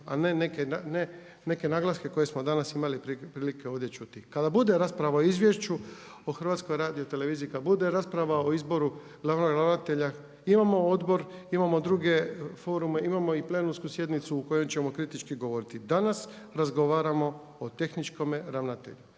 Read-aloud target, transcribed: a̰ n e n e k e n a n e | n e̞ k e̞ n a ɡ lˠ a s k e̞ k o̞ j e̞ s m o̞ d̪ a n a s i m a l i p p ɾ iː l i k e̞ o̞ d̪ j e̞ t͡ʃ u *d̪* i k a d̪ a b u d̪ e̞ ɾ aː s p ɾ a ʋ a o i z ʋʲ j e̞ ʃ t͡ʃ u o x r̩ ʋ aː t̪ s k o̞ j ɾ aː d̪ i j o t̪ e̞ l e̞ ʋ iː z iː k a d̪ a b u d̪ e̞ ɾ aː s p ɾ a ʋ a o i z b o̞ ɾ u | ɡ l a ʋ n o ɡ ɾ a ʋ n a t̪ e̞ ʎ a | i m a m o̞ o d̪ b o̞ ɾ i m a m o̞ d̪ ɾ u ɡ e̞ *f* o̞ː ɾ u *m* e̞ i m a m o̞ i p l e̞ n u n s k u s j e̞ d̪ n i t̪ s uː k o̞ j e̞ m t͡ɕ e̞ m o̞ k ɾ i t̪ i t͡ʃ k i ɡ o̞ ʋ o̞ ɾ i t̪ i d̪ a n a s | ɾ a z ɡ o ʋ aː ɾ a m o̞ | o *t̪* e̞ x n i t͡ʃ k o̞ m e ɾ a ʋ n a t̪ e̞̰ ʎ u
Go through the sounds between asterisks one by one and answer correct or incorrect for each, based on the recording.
incorrect, correct, correct, correct

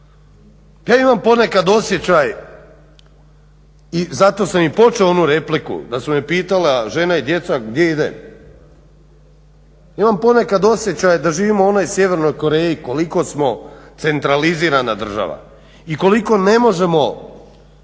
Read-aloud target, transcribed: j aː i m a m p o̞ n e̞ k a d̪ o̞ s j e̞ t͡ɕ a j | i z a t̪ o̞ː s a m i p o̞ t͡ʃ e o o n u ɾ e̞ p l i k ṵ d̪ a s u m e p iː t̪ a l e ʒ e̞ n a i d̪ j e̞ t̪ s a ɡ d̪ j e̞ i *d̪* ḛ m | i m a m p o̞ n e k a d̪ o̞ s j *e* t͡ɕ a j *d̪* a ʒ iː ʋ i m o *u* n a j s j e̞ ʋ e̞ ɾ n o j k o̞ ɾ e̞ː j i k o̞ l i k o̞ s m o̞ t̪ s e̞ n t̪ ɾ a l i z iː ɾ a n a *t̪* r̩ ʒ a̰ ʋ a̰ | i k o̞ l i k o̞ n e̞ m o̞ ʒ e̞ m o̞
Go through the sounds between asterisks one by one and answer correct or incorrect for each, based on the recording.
correct, correct, correct, incorrect, incorrect

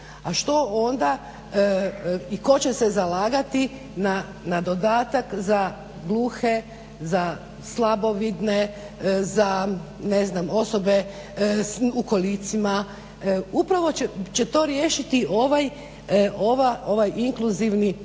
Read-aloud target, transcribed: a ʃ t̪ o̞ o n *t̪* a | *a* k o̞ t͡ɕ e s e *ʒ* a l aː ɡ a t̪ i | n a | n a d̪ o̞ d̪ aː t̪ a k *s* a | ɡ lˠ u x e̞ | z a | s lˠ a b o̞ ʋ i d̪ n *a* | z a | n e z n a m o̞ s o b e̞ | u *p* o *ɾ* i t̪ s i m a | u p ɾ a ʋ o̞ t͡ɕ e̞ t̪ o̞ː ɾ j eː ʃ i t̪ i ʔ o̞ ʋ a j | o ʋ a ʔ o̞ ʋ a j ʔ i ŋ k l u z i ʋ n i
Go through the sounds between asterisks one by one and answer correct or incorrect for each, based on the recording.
incorrect, incorrect, incorrect, incorrect, incorrect, incorrect, incorrect

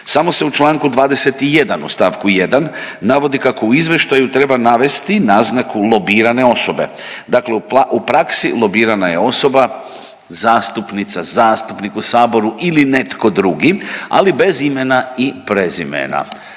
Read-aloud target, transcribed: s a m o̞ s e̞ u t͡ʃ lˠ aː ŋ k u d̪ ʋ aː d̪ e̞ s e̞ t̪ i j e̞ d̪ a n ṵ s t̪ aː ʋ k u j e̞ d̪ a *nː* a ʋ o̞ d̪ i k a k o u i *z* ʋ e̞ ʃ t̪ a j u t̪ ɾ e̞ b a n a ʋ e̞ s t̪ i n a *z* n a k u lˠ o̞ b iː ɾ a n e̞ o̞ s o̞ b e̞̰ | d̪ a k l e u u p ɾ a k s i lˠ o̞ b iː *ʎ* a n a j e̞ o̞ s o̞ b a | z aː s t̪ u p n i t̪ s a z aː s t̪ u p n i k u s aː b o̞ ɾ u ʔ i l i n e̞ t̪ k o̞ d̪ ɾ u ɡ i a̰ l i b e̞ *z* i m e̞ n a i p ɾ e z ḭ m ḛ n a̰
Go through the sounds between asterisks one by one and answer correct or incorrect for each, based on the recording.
correct, correct, correct, incorrect, correct

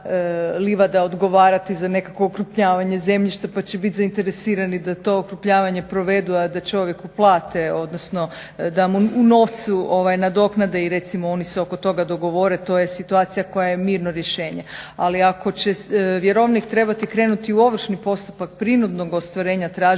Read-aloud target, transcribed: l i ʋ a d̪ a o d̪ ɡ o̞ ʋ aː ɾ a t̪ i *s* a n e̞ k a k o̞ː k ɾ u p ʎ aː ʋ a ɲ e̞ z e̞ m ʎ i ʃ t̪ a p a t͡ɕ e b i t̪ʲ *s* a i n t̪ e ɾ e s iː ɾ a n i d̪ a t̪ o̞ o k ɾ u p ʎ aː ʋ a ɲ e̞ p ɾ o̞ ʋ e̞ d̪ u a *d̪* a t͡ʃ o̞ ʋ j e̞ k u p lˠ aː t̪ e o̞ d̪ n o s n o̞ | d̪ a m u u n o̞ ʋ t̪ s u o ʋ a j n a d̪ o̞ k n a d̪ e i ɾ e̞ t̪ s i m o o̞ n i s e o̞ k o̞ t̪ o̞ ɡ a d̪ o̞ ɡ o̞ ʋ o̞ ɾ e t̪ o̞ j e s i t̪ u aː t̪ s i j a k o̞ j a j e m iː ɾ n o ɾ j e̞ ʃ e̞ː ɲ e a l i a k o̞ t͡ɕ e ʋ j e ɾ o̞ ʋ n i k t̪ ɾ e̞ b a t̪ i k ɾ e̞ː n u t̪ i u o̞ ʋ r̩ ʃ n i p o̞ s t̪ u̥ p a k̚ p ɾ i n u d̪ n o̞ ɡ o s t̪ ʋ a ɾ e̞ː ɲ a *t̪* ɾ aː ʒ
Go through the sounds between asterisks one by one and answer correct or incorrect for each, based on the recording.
incorrect, incorrect, correct, correct

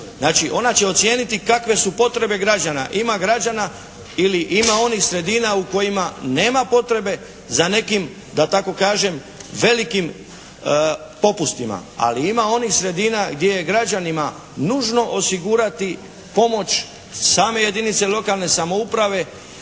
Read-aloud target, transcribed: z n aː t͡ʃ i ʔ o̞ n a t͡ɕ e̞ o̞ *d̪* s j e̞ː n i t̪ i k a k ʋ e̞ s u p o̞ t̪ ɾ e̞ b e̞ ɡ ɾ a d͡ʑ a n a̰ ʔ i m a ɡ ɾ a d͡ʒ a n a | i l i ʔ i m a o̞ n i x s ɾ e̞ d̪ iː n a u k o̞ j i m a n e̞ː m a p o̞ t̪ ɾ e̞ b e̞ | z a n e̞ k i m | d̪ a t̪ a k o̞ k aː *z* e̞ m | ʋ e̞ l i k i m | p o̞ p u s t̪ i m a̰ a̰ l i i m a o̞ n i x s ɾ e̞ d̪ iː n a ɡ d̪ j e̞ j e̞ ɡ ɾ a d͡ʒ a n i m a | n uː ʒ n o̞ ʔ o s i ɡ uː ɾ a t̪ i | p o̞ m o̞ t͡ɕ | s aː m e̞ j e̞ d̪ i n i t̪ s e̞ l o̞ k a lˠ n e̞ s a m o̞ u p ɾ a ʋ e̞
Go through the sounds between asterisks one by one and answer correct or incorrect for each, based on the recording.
incorrect, incorrect

